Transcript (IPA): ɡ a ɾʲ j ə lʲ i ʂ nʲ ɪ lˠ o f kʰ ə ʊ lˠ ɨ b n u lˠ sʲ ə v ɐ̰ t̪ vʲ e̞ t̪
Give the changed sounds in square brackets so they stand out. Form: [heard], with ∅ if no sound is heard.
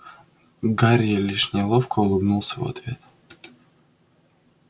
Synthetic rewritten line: ɡ a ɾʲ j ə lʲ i ʂ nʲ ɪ lˠ o f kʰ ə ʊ lˠ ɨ b n u lˠ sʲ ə v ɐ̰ t̪ vʲ e̞ t̪